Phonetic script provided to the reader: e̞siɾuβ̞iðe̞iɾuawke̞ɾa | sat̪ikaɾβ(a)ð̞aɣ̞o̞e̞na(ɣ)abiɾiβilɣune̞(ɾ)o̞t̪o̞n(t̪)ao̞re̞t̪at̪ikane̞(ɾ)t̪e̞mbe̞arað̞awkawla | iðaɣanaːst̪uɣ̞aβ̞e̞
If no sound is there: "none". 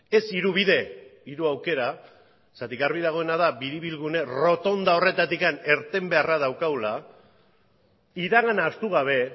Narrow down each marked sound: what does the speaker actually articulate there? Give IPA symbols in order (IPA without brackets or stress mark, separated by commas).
i, ð, r, d̪, ɾ